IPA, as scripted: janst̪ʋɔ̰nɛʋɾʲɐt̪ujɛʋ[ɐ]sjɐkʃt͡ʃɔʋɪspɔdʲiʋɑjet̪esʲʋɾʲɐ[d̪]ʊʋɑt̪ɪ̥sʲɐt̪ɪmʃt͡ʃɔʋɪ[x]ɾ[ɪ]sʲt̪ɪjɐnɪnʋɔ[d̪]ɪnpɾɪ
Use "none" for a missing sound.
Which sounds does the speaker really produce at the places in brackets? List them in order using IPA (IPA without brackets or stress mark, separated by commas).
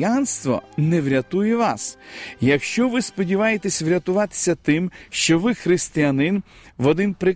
ɑ, t̪, x, ɪ, d̪